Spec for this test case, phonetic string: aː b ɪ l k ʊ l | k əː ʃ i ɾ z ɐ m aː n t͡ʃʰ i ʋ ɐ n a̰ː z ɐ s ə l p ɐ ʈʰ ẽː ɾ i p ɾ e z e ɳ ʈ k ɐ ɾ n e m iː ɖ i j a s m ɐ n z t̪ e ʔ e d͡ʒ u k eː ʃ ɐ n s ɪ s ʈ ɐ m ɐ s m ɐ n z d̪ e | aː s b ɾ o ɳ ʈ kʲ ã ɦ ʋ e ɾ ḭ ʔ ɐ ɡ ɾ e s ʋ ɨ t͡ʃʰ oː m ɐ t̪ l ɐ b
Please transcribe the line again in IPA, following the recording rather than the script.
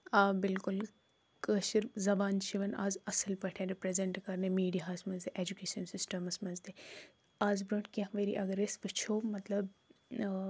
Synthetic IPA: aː b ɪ l k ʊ l | k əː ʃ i ɾ z ɐ b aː n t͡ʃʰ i ʋ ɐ n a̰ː z ɐ s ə l p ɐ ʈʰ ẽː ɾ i p ɾ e z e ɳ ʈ k ɐ ɾ n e m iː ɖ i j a s m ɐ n z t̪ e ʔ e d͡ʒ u k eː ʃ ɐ n s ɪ s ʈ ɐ m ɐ s m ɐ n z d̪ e | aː z b ɾ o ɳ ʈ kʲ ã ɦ ʋ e ɾ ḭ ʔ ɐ ɡ ɾ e s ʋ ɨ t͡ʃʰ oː m ɐ t̪ l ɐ b